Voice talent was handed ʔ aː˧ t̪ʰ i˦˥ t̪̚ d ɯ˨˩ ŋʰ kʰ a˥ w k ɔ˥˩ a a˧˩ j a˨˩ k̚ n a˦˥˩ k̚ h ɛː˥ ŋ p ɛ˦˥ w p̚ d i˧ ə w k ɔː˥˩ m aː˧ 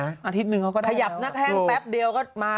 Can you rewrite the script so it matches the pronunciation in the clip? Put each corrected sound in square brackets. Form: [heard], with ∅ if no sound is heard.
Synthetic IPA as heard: ʔ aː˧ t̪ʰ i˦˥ t̪̚ [n] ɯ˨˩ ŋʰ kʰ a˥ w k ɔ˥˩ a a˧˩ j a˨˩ [p̚] n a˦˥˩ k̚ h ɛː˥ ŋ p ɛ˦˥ [∅] p̚ d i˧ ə w k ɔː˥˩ m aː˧